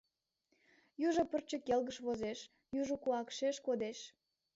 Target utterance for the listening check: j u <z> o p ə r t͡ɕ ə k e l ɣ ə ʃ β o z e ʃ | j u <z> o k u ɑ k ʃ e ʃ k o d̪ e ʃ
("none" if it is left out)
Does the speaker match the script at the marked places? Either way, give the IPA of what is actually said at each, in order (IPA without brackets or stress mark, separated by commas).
ʒ, ʒ